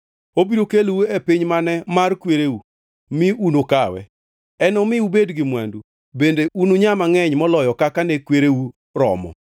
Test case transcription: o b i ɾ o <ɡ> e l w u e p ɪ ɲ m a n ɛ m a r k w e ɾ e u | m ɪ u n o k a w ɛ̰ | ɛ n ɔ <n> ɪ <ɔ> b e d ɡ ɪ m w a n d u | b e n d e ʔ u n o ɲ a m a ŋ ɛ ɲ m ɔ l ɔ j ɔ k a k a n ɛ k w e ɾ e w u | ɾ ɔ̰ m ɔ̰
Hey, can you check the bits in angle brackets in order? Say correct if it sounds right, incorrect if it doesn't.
incorrect, incorrect, incorrect

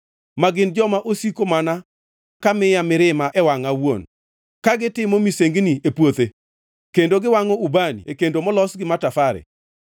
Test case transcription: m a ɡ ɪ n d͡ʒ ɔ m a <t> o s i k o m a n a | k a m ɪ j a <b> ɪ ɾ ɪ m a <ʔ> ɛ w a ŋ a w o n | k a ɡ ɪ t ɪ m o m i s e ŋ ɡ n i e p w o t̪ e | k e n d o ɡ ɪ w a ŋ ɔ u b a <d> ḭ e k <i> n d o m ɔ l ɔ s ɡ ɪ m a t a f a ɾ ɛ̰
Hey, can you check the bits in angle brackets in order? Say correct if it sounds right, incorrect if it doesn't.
incorrect, incorrect, correct, incorrect, incorrect

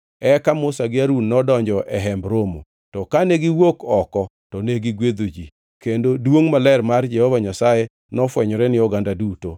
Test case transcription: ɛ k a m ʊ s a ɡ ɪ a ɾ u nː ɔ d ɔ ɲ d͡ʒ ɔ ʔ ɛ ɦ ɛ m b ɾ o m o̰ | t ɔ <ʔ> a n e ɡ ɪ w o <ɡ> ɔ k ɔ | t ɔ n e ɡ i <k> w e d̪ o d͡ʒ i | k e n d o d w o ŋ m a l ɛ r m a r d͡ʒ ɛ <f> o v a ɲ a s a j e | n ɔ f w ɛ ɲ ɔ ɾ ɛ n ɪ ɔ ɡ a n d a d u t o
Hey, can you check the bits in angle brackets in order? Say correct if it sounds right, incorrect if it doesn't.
incorrect, incorrect, incorrect, incorrect

